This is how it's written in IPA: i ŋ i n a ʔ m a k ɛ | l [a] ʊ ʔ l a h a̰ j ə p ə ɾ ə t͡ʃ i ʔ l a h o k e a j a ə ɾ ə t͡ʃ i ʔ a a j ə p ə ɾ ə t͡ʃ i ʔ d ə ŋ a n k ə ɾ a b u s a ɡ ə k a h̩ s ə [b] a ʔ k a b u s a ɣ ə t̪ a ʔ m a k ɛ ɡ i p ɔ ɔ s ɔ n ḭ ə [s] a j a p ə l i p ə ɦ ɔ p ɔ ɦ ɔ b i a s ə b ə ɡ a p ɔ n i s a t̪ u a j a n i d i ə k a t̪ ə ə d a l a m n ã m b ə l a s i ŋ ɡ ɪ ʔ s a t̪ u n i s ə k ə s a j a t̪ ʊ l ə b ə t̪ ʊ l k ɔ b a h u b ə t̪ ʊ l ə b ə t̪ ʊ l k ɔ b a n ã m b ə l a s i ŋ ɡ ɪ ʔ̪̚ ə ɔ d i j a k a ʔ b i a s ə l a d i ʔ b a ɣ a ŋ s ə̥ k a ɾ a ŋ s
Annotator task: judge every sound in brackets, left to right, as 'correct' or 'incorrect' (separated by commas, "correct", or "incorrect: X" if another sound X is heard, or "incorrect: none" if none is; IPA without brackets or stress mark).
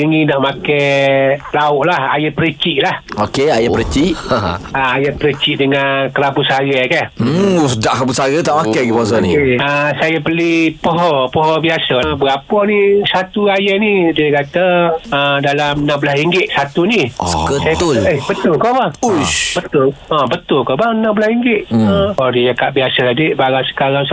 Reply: correct, incorrect: d, correct